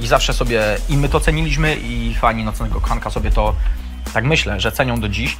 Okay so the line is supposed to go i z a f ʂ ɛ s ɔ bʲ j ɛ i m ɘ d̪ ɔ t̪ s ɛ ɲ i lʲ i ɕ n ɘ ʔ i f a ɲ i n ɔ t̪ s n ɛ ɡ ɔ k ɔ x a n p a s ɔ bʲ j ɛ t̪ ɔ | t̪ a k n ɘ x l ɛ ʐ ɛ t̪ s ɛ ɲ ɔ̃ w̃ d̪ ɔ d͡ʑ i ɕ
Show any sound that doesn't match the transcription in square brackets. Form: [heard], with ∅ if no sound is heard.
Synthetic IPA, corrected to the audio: i z a f ʂ ɛ s ɔ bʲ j ɛ i m ɘ [t̪] ɔ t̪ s ɛ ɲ i lʲ i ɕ [m] ɘ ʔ i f a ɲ i n ɔ t̪ s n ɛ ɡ ɔ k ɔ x a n [k] a s ɔ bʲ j ɛ t̪ ɔ | t̪ a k [m] ɘ [ɕ] l ɛ ʐ ɛ t̪ s ɛ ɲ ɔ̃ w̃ d̪ ɔ d͡ʑ i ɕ